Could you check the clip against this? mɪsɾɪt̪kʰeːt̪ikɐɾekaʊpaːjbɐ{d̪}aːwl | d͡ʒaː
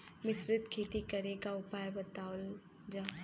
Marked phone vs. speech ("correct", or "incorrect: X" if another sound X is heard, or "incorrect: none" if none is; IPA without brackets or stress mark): incorrect: t̪